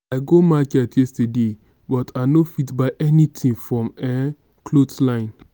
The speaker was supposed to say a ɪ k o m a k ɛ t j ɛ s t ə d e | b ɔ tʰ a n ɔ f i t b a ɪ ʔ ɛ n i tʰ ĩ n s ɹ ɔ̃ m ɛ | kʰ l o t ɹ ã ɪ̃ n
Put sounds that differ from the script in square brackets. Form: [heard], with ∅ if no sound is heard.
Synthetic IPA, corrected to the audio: a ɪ [ɡ] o m a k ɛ t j ɛ s t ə d e | b ɔ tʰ a n [o] f i t b a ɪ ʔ ɛ n i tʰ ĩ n [f] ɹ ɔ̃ m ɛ | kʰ l o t [l] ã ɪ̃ n